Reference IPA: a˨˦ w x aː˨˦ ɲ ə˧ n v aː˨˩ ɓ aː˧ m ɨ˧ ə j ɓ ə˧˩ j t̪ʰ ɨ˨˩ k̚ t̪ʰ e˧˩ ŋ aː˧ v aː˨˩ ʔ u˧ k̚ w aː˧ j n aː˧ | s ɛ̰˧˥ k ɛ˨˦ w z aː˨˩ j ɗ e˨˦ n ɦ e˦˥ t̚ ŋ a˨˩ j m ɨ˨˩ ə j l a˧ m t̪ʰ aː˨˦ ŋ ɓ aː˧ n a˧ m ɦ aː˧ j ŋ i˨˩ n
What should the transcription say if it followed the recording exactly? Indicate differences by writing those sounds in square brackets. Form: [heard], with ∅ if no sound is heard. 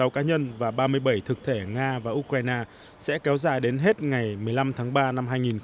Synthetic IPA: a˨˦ w [k] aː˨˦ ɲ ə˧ n v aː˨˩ ɓ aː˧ m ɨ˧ ə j ɓ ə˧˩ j t̪ʰ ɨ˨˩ k̚ t̪ʰ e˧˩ ŋ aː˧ v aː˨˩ ʔ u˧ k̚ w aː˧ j n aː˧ | s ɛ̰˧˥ k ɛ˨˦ w z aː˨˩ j ɗ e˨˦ n ɦ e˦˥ t̚ ŋ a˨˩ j m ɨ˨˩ ə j l a˧ m t̪ʰ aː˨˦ ŋ ɓ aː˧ n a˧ m ɦ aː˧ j ŋ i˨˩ n